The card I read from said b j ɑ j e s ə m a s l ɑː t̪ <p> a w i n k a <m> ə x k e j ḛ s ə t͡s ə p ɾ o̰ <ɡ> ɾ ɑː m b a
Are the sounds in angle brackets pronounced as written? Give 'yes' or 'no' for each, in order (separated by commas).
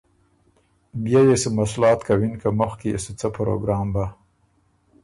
no, yes, yes